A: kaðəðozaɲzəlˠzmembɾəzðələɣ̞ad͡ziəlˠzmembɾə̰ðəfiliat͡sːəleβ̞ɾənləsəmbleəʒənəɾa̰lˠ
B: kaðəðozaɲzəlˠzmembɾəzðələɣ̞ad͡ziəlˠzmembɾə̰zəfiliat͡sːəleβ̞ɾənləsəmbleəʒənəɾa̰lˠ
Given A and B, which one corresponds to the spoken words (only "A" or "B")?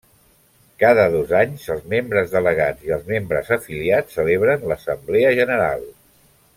B